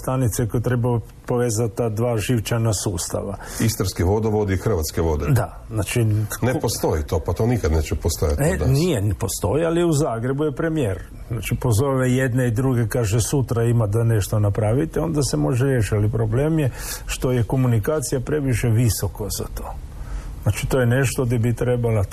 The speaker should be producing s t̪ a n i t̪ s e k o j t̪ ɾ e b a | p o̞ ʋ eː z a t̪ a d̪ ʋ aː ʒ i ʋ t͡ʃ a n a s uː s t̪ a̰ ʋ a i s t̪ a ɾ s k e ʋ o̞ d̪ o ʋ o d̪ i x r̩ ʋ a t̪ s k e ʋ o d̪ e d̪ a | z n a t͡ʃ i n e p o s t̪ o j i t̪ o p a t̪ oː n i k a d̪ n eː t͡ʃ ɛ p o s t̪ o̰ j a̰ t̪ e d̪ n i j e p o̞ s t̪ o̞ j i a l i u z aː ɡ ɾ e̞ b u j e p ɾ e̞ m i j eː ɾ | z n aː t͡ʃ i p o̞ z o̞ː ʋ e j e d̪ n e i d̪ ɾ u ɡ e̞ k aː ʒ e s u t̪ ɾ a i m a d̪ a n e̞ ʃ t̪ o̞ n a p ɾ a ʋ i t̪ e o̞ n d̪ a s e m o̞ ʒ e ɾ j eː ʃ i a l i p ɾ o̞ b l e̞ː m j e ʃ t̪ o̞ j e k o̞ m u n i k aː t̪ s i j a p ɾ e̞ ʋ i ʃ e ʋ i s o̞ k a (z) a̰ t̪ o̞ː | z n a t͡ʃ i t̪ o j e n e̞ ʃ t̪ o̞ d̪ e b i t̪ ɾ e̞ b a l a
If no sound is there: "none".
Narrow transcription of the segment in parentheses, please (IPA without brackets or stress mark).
z